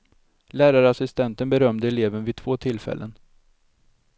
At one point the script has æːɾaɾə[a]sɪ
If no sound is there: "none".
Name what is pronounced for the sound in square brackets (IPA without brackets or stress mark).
a